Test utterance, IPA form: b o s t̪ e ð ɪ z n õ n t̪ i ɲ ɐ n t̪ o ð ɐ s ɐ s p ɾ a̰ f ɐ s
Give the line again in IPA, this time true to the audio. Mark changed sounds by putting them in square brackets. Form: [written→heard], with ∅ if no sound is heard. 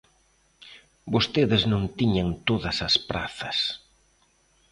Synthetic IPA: b o s t̪ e ð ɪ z n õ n t̪ i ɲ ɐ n t̪ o ð ɐ s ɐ s p ɾ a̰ [f→θ] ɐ s